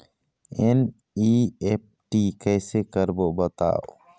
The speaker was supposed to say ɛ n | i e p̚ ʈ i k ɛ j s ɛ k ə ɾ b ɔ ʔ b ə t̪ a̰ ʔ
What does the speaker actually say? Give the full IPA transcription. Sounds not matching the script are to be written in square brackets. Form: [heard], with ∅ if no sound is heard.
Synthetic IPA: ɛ n | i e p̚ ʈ i k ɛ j s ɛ k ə ɾ b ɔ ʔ b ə t̪ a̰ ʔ